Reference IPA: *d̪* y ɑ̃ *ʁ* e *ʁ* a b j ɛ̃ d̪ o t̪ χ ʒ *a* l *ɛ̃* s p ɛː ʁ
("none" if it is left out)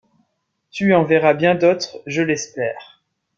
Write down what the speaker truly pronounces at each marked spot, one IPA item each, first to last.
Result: t̪, v, ʁ, ə, ɛ

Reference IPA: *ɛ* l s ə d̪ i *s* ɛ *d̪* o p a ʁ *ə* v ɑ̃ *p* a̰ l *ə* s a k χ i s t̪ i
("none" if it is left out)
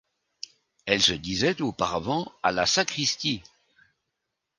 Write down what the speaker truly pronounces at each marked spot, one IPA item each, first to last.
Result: ɛ, z, t̪, a, none, a

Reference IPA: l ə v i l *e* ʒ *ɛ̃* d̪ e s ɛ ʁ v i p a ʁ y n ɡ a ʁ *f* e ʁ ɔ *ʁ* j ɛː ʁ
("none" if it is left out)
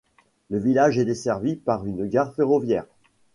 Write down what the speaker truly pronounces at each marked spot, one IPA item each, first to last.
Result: a, ɛ, f, v

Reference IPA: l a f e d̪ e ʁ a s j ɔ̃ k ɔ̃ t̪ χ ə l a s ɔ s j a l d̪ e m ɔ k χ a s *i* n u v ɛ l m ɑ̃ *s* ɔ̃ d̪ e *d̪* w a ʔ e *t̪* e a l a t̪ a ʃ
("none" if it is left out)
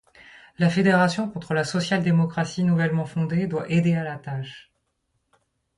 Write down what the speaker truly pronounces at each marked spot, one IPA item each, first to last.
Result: i, f, d̪, d̪

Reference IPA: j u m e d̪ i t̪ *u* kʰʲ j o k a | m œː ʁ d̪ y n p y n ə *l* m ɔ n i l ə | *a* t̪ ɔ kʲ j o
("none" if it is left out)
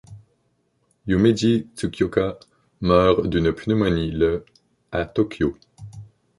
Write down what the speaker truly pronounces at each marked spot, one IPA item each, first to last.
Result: u, none, a

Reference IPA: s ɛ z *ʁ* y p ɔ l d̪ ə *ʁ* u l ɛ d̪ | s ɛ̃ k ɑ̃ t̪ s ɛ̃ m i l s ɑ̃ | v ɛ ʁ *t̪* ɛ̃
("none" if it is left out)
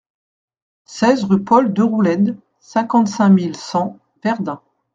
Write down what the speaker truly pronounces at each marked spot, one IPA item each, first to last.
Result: ʁ, ʁ, d̪

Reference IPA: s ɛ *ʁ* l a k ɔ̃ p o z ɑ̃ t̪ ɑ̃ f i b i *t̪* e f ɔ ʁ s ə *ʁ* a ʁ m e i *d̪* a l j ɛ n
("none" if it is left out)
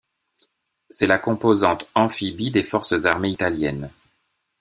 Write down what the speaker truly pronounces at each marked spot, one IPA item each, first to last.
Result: none, d̪, z, t̪

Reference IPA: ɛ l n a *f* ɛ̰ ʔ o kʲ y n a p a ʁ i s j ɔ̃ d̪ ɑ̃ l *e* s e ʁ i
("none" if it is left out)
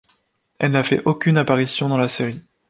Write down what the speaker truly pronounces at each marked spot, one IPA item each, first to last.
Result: f, a

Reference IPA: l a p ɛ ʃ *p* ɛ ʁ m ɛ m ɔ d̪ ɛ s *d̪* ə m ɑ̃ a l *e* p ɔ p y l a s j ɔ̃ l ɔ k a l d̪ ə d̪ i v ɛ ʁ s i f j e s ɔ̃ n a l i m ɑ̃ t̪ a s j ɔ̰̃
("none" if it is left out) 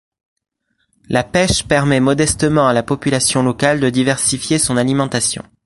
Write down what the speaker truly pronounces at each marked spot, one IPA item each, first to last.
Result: p, t̪, a

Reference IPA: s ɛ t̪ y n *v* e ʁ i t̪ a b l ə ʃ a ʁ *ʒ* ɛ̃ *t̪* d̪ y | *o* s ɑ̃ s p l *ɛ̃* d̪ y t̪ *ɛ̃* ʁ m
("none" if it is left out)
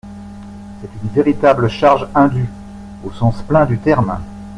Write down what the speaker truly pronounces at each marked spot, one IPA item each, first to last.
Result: v, ʒ, none, o, ɛ̃, ɛ

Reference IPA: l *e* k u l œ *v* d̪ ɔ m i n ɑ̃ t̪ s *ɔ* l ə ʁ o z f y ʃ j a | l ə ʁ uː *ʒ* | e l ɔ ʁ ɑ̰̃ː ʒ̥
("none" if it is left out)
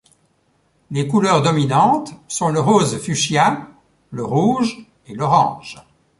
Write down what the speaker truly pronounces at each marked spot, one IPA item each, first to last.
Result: e, ʁ, ɔ̃, ʒ

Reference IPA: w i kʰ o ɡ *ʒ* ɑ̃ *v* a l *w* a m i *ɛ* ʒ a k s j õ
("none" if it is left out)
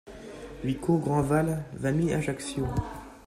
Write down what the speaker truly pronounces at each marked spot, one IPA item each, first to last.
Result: ʁ, v, v, a

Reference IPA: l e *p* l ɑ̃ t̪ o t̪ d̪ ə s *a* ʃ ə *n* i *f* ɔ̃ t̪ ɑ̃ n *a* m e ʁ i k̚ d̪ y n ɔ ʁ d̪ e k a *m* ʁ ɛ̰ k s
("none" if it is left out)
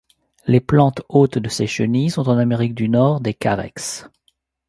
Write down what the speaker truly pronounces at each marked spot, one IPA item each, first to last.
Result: p, e, n, s, a, none

